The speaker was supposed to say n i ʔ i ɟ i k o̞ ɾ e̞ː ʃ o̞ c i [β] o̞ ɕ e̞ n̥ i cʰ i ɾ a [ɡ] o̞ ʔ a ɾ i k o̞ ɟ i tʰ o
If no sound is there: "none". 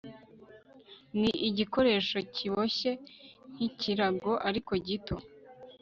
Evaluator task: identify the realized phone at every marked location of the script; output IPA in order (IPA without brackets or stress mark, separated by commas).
β, ɡ